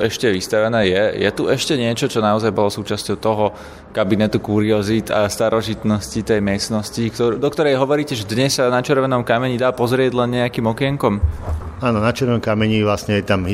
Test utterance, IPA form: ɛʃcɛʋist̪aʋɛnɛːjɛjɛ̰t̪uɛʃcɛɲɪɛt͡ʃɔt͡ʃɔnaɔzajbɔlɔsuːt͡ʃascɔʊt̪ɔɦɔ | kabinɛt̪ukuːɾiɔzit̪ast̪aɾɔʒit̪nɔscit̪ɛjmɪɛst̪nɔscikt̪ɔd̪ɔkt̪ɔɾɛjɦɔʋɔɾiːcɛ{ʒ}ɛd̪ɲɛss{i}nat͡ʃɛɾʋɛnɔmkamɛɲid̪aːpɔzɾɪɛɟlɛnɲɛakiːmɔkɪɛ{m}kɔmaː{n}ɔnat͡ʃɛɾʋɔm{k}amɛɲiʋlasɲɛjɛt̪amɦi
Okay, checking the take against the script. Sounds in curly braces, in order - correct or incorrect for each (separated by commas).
correct, incorrect, incorrect, correct, correct